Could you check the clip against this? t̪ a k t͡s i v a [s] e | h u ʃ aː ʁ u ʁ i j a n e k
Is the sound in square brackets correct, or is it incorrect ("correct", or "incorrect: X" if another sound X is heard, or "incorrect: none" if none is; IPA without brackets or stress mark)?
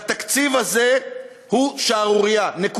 incorrect: z